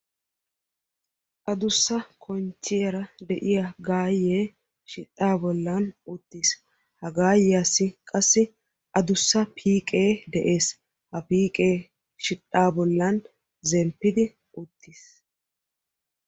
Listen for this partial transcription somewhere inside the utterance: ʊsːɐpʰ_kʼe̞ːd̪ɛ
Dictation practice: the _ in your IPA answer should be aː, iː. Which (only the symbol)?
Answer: iː